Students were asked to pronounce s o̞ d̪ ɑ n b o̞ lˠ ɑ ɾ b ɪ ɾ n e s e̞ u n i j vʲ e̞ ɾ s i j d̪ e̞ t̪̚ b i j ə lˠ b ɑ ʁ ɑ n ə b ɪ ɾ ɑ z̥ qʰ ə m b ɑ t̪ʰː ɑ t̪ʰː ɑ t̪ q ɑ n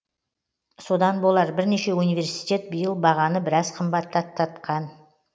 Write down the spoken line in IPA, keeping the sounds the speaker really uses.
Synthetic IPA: s o̞ d̪ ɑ n b o̞ lˠ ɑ ɾ b ɪ ɾ n e ʃ e̞ u n i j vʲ e̞ ɾ s i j t̪ e̞ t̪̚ b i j ə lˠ b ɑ ʁ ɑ n ə b ɪ ɾ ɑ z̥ qʰ ə m b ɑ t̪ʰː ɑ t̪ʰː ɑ t̪ q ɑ n